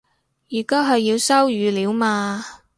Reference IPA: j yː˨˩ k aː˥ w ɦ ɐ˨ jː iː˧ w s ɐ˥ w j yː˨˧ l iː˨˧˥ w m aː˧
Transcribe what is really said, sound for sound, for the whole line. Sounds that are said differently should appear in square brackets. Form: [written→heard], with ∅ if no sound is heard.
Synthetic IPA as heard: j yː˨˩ k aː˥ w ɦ ɐ˨ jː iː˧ w s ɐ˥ w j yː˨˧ l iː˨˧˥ w m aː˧